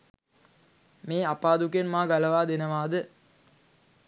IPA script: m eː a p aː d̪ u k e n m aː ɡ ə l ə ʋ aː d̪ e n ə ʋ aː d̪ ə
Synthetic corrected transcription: m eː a p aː d̪ u k e n m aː ɡ a l ə ʋ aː d̪ e n ə ʋ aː d̪ ə